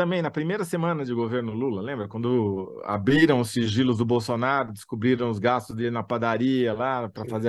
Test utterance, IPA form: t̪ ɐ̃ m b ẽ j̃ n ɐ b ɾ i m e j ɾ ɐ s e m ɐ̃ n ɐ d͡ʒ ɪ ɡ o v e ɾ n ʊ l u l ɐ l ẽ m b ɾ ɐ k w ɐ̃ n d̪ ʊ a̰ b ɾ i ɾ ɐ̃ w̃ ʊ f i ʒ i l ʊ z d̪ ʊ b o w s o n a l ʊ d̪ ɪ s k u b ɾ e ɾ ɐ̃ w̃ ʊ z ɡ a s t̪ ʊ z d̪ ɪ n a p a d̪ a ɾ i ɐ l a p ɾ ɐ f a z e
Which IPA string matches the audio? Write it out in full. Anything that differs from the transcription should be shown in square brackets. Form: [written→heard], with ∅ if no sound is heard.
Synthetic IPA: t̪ ɐ̃ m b ẽ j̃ n ɐ [b→p] ɾ i m e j ɾ ɐ s e m ɐ̃ n ɐ d͡ʒ ɪ ɡ o v e ɾ n ʊ l u l ɐ l ẽ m b ɾ ɐ k w ɐ̃ n d̪ ʊ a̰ b ɾ i ɾ ɐ̃ w̃ ʊ [f→s] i ʒ i l ʊ z d̪ ʊ b o w s o n a [l→ɾ] ʊ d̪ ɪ s k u b ɾ [e→i] ɾ ɐ̃ w̃ ʊ z ɡ a s t̪ ʊ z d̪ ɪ n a p a d̪ a ɾ i ɐ l a p ɾ ɐ f a z e